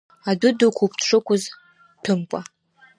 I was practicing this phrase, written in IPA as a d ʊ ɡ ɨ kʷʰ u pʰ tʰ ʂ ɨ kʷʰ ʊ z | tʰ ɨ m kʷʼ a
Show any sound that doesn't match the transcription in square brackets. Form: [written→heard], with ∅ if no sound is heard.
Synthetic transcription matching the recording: a d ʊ [ɡ→d] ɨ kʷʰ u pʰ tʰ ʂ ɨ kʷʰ ʊ z | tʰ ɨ m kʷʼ a